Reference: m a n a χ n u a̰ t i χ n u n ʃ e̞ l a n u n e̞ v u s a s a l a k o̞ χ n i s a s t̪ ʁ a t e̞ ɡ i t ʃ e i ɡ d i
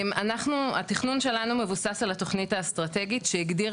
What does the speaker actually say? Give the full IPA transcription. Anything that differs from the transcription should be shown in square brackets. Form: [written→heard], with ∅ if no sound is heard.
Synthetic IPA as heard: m a n a χ n u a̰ t i χ n u n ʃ e̞ l a n u [n→m] e̞ v u s a s a l a [k→t] o̞ χ n i [s→t] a s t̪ ʁ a t e̞ ɡ i t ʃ e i ɡ d i